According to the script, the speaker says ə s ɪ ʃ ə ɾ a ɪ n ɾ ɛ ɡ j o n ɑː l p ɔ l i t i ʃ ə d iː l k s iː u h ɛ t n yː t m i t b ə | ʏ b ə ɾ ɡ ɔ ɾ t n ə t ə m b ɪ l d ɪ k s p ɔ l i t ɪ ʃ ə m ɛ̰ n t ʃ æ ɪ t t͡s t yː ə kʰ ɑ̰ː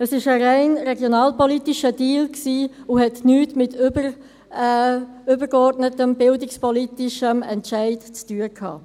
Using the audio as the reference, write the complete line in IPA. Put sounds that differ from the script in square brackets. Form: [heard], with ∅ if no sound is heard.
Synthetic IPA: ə s ɪ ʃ ə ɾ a ɪ n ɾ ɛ ɡ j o n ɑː l p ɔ l i t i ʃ ə d iː l k s iː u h ɛ t n yː t m [ɪ] t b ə | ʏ b ə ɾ ɡ ɔ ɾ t n ə t ə m b ɪ l d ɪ k s p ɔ l i t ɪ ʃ ə m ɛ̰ n t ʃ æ ɪ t t͡s t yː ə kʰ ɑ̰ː